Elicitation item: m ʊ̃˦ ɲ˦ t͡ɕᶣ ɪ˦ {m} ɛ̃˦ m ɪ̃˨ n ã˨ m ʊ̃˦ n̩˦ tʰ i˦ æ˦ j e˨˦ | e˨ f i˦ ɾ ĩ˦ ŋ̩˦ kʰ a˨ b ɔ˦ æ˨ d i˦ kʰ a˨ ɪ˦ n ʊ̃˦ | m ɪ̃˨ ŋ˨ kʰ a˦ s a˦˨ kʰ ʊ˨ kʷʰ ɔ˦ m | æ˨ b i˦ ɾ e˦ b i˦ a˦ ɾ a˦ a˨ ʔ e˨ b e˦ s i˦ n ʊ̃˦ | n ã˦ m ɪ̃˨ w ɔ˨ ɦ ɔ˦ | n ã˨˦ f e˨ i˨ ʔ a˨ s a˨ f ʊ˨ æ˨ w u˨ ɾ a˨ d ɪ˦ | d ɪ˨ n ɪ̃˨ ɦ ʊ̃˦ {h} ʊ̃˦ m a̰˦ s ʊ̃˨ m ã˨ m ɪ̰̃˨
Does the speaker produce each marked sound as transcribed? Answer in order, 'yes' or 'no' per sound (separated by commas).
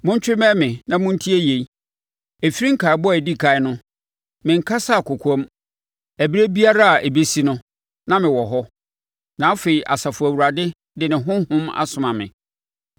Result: yes, yes